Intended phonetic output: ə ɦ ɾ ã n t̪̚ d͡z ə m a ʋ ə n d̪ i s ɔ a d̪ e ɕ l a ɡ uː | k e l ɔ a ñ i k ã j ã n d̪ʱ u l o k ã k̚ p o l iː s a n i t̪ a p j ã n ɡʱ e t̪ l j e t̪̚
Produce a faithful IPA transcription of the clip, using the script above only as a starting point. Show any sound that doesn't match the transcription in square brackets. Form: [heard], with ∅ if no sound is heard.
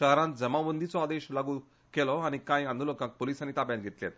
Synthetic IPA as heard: ə ɦ ɾ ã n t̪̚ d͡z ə m a ʋ ə n d̪ i [t͡s] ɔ a d̪ e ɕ l a ɡ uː | k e l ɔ a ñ i k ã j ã n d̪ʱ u l o k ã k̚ p o l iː s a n i t̪ a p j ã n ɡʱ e t̪ l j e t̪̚